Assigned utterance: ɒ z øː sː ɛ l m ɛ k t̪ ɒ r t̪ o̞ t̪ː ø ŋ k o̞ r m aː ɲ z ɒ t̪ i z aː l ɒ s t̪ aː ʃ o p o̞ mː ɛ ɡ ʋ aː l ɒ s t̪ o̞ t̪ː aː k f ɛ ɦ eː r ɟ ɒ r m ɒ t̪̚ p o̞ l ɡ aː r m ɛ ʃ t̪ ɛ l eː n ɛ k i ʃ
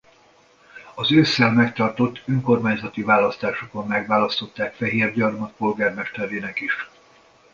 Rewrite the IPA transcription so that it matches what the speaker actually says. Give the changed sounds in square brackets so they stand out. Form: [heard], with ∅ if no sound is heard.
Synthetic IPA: ɒ z øː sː ɛ l m ɛ k t̪ ɒ r t̪ o̞ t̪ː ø ŋ k o̞ r m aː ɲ z ɒ t̪ i [v] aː l ɒ s t̪ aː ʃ o [k] o̞ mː ɛ ɡ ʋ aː l ɒ s t̪ o̞ t̪ː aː k f ɛ ɦ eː r ɟ ɒ r m ɒ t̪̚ p o̞ l ɡ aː r m ɛ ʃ t̪ ɛ [ɾ] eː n ɛ k i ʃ